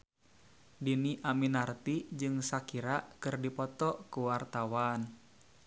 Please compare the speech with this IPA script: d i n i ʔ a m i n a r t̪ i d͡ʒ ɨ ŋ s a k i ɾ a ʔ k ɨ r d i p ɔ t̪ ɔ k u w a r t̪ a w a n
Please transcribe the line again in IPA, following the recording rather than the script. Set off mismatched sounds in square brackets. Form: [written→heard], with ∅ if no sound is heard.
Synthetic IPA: d i n i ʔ a m i n a r t̪ i d͡ʒ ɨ ŋ s a k i ɾ a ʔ k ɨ r d i p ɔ t̪ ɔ k u w a r t̪ a w a n